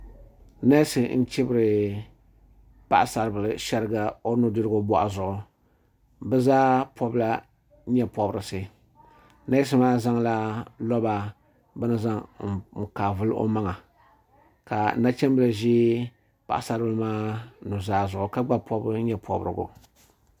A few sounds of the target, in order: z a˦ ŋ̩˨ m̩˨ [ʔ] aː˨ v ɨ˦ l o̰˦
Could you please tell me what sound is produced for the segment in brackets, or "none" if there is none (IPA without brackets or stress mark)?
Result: k